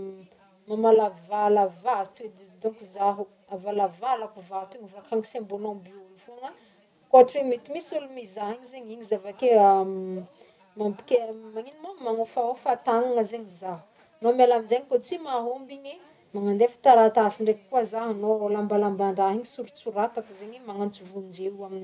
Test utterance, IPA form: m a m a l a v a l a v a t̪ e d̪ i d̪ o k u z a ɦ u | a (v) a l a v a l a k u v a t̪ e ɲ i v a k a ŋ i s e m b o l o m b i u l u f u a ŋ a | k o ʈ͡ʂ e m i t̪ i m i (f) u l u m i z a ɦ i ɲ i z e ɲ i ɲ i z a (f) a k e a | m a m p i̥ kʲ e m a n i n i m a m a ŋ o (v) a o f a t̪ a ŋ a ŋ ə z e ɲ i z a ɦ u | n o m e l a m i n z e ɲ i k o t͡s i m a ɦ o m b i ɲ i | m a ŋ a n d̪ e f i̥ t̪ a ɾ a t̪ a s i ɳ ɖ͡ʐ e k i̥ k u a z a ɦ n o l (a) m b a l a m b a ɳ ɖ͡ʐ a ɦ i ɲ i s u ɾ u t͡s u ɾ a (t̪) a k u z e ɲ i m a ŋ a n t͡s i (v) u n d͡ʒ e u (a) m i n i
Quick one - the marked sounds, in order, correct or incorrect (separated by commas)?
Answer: correct, incorrect, incorrect, incorrect, correct, correct, correct, correct